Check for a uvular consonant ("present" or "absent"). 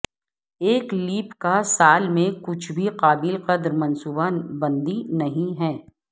present